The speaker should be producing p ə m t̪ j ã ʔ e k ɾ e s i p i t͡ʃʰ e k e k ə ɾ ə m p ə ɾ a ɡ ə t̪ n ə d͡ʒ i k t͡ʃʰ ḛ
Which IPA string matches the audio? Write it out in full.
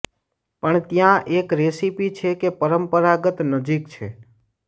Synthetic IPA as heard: p ə ɳ t̪ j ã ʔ e k ɾ e s i p i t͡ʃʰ e k e p ə ɾ ə m p ə ɾ a ɡ ə t̪ n ə d͡ʒ i k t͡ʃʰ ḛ